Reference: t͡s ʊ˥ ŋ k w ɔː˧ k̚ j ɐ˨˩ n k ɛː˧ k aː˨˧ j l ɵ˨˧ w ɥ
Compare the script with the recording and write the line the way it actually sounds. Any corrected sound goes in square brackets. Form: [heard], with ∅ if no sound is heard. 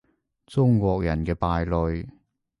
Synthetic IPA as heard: t͡s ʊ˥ ŋ k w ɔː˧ k̚ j ɐ˨˩ n k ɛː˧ [p] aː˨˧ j l ɵ˨˧ [∅] ɥ